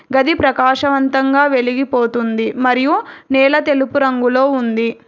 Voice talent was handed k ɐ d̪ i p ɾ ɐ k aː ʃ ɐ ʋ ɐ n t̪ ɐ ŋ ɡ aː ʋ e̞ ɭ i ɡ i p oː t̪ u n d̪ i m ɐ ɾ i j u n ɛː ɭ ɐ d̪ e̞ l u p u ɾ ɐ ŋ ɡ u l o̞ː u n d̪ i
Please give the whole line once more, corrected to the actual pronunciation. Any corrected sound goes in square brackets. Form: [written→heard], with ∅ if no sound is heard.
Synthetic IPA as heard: [k→ɡ] ɐ d̪ i p ɾ ɐ k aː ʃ ɐ ʋ ɐ n t̪ ɐ ŋ ɡ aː ʋ e̞ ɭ i ɡ i p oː t̪ u n d̪ i m ɐ ɾ i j u n ɛː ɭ ɐ [d̪→t̪] e̞ l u p u ɾ ɐ ŋ ɡ u l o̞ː u n d̪ i